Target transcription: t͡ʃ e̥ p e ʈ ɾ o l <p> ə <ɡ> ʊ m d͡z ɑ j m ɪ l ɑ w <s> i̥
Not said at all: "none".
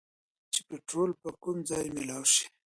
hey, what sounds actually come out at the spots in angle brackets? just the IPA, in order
p, k, ʃ

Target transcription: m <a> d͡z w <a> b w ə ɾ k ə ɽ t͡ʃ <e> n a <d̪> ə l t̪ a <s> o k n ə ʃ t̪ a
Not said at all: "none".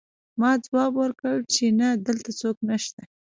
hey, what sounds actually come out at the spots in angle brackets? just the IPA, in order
ɑ, ɑ, e, d̪, t͡s

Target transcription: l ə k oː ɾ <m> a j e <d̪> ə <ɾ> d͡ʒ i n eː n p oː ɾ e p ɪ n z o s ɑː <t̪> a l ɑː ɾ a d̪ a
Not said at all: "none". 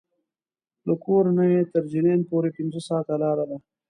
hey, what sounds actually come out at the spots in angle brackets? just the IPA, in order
n, t̪, ɾ, t̪

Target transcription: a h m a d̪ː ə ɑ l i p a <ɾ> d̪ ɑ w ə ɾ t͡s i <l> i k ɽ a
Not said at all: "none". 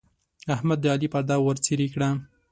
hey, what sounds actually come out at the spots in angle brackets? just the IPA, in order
ɾ, ɾ

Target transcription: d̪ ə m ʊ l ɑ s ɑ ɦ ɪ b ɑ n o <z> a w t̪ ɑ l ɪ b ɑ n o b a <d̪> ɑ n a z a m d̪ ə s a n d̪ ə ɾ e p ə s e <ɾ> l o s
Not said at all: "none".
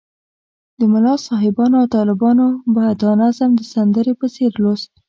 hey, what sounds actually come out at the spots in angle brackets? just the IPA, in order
none, d̪, ɾ

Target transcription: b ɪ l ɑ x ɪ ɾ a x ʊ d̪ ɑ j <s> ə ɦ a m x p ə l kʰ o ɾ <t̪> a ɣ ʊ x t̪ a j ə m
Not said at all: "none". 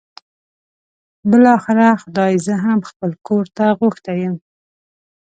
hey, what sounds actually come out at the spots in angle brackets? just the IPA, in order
z, t̪

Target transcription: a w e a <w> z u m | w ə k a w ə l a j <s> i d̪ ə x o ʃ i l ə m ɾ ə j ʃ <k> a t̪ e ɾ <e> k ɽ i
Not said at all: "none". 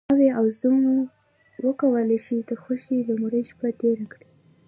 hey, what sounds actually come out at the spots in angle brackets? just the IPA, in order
w, ʃ, p, a

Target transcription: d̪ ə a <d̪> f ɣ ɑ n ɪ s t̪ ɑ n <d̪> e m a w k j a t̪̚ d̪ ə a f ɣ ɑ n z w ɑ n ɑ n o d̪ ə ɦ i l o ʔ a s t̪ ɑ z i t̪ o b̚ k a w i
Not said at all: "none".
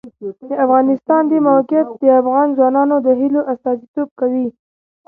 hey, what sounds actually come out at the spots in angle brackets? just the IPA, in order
none, d̪

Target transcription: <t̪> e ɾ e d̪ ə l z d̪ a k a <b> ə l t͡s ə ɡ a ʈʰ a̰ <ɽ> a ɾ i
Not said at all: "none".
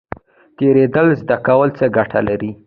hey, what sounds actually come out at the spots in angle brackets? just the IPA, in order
t̪, w, l

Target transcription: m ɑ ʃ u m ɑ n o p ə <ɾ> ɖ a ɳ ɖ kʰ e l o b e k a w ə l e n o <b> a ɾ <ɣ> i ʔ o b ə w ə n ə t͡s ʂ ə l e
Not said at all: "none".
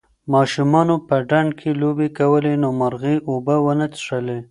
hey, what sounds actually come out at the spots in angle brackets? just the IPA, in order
none, m, ɣ

